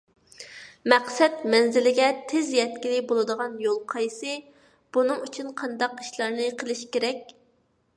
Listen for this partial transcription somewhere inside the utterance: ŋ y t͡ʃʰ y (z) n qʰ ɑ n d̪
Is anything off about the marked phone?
yes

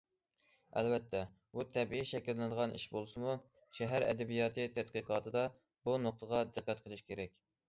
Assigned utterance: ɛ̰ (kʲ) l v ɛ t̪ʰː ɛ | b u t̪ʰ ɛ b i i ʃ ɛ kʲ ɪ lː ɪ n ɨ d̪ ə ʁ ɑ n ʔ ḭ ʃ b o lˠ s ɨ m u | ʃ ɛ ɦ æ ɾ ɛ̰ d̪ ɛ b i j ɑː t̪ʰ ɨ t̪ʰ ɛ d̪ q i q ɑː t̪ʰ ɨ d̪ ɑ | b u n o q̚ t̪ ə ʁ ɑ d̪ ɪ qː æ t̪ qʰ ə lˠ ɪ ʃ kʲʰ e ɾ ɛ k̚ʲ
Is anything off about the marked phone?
yes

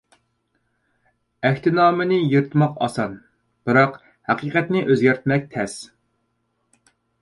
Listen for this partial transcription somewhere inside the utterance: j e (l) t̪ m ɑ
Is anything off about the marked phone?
yes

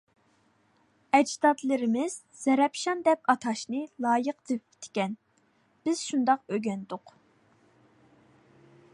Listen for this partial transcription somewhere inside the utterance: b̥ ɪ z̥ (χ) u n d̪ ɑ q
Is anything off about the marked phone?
yes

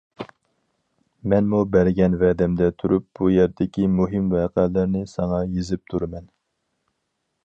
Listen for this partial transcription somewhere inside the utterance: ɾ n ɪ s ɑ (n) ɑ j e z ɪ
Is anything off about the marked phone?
yes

